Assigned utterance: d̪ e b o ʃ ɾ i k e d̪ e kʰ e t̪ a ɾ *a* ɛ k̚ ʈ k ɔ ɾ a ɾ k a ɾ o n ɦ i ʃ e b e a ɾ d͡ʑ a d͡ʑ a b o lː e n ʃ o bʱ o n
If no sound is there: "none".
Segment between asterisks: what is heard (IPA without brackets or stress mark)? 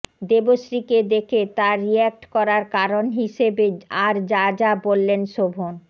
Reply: i